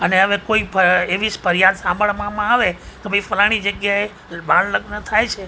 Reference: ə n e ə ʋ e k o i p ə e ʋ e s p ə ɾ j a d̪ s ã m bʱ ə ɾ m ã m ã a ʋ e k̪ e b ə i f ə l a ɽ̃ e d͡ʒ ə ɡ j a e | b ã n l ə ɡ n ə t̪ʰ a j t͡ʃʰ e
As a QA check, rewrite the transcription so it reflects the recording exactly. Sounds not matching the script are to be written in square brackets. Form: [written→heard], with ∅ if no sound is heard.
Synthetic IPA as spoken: ə n e ə ʋ e k o i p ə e ʋ [e→i] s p ə ɾ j a d̪ s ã m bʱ ə [ɾ→ɭ] m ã m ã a ʋ e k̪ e b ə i f ə l a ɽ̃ [e→i] d͡ʒ ə ɡ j a e | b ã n l ə ɡ n ə t̪ʰ a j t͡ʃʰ e

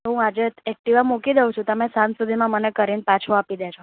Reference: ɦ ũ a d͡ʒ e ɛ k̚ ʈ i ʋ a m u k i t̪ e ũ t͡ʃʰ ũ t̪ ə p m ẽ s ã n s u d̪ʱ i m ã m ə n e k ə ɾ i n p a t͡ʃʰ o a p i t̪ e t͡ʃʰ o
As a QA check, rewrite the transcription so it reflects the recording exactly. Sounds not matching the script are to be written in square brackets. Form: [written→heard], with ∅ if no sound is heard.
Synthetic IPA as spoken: ɦ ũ a d͡ʒ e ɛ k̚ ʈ i ʋ a m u k i [t̪→d̪] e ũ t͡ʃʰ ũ t̪ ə [p→∅] m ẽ s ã n s u d̪ʱ i m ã m ə n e k ə ɾ i n p a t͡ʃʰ o a p i [t̪→d̪] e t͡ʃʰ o

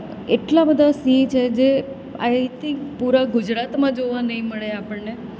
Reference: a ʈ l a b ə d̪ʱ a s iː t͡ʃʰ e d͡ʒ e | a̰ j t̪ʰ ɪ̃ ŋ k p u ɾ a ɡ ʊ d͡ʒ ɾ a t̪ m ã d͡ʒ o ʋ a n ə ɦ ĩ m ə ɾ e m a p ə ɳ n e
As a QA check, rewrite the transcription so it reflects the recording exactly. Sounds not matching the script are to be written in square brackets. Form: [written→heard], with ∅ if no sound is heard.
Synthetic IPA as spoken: [a→e] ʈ l a b ə d̪ʱ a s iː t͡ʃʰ e d͡ʒ e | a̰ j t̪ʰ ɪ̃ ŋ k p u ɾ a ɡ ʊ d͡ʒ ɾ a t̪ m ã d͡ʒ o ʋ a n ə ɦ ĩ m ə [ɾ→ɭ] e [m→∅] a p ə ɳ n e

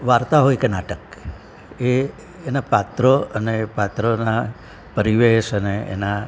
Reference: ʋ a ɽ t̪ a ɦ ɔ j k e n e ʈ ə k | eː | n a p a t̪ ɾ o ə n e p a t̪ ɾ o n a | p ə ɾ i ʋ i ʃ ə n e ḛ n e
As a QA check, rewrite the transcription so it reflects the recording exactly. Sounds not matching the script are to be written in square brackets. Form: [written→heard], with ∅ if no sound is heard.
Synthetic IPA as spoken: ʋ a [ɽ→ɾ] t̪ a ɦ [ɔ→o] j k e n [e→a] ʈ ə k | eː | n a p a t̪ ɾ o ə n e p a t̪ ɾ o n a | p ə ɾ i ʋ [i→e] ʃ ə n e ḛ n [e→a]

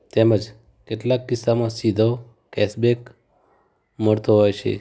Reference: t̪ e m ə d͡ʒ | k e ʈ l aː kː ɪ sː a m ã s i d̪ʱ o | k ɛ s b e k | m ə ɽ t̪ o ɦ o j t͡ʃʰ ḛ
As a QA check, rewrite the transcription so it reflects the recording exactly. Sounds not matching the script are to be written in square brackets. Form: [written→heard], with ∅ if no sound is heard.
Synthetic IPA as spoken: t̪ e m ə d͡ʒ | k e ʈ l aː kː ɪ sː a m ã s i d̪ʱ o | k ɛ s b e k | m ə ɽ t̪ o ɦ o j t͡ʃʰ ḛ

